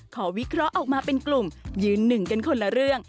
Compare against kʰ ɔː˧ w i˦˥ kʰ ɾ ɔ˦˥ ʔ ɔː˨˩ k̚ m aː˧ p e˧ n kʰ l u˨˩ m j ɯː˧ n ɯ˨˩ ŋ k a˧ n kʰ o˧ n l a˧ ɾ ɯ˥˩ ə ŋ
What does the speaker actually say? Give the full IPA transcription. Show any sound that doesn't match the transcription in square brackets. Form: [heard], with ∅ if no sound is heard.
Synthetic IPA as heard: kʰ [ɔː˩˦] w i˦˥ kʰ ɾ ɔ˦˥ ʔ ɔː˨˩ k̚ m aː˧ p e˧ n [k] l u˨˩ m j ɯː˧ [nː] ɯ˨˩ ŋ k a˧ n kʰ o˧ n l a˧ ɾ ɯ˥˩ ə ŋ